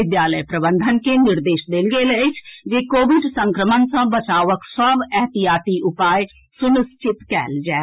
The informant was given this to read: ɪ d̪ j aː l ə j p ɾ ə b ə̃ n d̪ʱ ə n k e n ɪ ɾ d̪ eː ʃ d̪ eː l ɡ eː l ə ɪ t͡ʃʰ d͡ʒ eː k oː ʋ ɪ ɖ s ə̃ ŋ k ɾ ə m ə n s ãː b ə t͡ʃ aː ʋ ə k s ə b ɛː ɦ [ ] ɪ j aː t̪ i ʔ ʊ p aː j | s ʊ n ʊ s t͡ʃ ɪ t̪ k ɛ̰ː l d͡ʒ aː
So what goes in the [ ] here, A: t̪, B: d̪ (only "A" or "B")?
A